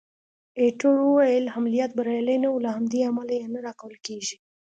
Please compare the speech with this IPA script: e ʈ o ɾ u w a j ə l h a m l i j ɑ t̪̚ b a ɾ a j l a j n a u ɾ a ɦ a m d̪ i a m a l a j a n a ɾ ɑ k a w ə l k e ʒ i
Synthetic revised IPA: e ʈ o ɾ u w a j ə l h a m l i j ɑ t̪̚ b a ɾ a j l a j n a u l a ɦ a m d̪ i a m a l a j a n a ɾ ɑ k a w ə l k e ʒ i